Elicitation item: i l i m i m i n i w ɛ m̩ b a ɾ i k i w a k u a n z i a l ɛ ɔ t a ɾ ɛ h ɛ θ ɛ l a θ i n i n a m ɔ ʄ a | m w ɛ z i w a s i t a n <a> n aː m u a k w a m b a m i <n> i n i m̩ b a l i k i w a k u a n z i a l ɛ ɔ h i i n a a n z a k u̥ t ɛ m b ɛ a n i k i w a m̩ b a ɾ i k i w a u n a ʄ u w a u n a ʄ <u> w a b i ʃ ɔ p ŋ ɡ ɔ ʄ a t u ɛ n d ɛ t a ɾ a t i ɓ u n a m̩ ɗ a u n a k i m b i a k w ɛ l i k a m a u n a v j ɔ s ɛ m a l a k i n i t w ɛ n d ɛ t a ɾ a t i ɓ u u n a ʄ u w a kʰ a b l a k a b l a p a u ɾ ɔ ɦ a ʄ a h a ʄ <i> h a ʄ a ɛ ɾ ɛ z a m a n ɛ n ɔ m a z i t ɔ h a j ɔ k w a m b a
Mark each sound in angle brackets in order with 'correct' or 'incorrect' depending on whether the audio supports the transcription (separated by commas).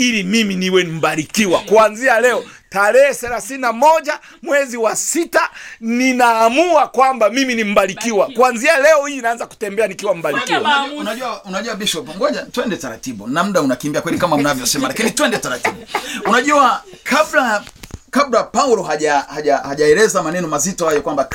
incorrect, incorrect, correct, incorrect